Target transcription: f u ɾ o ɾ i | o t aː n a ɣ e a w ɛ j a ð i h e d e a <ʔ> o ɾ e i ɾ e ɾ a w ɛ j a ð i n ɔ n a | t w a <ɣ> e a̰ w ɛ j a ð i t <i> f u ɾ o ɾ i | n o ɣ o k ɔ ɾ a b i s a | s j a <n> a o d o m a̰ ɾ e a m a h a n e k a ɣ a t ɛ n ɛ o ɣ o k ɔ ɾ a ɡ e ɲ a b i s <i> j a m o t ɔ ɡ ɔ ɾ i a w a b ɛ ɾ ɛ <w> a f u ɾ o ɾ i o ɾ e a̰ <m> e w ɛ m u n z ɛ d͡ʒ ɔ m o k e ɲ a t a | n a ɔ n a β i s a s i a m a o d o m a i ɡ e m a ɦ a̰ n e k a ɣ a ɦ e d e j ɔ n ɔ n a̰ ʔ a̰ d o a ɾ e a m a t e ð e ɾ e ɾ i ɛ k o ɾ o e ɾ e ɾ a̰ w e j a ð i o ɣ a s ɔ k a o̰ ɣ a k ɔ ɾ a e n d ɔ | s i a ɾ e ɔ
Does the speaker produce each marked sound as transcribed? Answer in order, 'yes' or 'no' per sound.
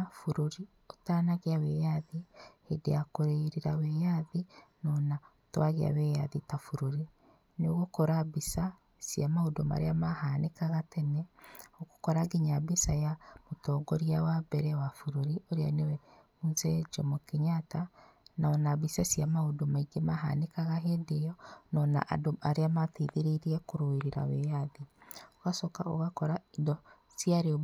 no, yes, no, no, no, yes, no

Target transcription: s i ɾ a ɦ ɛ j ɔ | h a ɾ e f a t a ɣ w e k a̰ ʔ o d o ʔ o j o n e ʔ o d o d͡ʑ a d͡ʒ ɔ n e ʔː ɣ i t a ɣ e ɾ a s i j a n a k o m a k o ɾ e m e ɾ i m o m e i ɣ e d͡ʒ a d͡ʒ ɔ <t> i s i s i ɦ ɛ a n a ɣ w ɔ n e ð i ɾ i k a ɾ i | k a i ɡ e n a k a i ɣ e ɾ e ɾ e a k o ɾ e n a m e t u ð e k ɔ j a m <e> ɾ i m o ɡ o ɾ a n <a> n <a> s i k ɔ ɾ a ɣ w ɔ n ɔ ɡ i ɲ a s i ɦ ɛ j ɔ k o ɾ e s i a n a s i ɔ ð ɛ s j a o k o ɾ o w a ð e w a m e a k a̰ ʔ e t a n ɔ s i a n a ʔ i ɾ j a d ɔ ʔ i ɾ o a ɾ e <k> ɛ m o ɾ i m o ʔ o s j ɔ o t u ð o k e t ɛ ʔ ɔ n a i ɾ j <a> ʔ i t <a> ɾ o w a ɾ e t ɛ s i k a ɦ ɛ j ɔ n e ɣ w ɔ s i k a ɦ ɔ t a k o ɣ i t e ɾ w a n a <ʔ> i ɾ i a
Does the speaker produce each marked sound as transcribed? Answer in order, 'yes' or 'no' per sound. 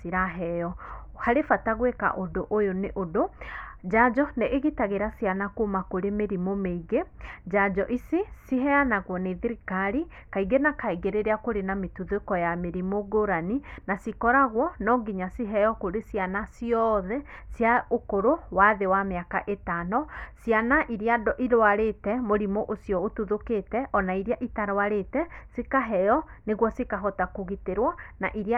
no, yes, no, yes, no, yes, yes, yes

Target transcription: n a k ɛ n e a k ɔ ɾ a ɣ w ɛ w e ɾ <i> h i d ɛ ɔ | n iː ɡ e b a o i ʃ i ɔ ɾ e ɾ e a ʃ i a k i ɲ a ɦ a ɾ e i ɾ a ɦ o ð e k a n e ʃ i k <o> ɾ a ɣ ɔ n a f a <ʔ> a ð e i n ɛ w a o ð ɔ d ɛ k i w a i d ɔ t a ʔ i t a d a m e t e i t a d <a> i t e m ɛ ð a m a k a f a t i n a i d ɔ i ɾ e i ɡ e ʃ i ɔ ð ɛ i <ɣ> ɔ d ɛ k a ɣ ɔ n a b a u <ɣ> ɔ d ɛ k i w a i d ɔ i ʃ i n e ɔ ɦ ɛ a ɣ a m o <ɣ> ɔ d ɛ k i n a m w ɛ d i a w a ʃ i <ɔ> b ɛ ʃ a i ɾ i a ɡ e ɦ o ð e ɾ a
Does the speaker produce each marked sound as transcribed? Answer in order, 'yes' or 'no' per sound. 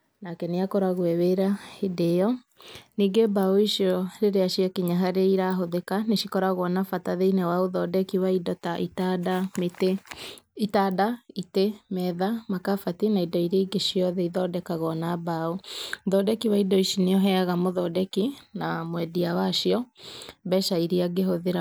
no, no, no, yes, no, no, no, yes

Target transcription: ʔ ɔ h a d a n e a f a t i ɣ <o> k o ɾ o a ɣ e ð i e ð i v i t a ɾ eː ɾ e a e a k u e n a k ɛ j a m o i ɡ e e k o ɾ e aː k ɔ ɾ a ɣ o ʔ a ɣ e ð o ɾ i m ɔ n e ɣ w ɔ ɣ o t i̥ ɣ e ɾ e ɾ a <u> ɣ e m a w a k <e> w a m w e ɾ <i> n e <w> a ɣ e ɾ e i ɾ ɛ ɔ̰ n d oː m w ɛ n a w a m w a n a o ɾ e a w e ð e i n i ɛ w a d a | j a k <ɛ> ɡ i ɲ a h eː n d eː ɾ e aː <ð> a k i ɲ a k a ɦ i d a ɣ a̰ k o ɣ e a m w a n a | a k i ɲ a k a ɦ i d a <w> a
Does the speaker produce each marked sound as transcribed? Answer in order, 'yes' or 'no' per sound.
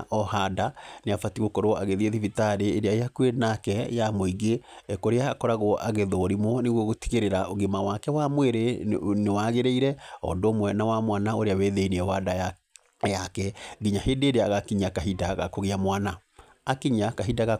yes, no, no, no, yes, yes, no, no

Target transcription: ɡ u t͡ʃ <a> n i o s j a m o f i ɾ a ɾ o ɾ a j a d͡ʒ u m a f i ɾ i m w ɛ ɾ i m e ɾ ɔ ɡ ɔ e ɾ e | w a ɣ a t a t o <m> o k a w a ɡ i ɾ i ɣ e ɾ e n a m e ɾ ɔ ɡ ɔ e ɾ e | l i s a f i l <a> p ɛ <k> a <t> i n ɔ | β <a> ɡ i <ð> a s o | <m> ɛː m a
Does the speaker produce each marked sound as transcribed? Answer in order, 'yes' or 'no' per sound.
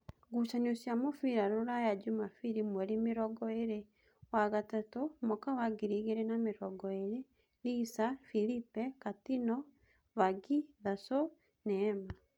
yes, yes, no, yes, yes, yes, yes, no

